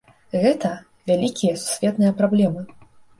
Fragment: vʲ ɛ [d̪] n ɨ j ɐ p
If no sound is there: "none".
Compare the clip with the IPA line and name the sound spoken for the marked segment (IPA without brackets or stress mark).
t̪